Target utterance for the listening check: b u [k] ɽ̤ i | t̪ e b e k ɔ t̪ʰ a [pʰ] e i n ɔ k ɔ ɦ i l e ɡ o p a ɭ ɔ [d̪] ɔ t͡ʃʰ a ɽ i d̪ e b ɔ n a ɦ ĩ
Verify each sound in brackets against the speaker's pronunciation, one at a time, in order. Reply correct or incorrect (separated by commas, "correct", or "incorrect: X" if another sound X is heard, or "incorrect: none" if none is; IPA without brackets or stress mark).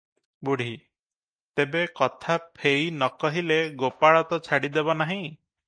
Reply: incorrect: none, correct, incorrect: t̪